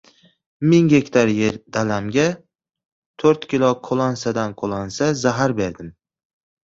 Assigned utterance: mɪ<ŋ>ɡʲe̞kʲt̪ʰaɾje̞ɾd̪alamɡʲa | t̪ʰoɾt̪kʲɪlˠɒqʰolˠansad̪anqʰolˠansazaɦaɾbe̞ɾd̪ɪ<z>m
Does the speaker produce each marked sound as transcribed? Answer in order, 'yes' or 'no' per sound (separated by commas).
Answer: yes, no